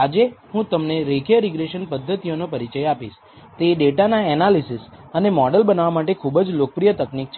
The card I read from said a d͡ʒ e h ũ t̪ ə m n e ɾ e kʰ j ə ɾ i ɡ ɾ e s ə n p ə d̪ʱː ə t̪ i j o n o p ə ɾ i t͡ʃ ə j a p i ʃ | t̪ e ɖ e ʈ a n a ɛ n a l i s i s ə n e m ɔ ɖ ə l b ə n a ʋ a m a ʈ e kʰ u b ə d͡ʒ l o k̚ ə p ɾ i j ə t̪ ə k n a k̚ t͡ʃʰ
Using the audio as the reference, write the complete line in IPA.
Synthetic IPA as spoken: a d͡ʒ e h ũ t̪ ə m n e ɾ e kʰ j ə ɾ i ɡ ɾ e ʃ ə n p ə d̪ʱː ə t̪ i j o n o p ə ɾ i t͡ʃ ə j a p i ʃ | t̪ e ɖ e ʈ a n a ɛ n a l i s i s ə n e m ɔ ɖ ə l b ə n a ʋ a m a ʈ e kʰ u b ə d͡ʒ l o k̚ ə p ɾ i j ə t̪ ə k n i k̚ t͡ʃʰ